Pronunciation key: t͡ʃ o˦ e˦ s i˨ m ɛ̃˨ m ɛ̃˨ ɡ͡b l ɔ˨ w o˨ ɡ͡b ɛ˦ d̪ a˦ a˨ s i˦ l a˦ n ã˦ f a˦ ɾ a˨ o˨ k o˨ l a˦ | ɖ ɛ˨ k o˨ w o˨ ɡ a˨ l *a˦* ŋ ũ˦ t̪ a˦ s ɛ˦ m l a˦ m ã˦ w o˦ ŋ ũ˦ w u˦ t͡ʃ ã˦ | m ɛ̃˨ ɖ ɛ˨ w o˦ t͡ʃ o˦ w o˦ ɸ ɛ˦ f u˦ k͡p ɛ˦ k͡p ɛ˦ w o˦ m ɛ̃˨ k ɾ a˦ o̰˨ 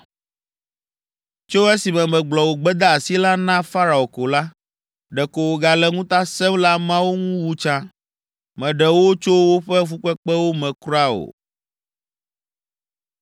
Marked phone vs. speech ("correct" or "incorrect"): incorrect